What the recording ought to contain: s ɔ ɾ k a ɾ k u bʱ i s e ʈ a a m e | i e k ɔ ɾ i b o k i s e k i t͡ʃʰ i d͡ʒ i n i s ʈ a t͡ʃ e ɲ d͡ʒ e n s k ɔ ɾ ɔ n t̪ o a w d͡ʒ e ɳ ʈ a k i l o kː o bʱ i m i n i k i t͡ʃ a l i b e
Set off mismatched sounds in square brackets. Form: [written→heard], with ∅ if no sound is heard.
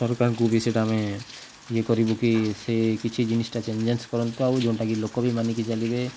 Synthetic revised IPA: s ɔ ɾ k a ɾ k u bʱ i s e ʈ a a m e | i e k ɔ ɾ i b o k i s e k i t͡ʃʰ i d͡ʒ i n i s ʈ a t͡ʃ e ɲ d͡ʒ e n s k ɔ ɾ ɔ n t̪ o a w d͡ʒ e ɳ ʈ a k i l o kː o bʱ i m [i→a] n i k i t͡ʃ a l i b e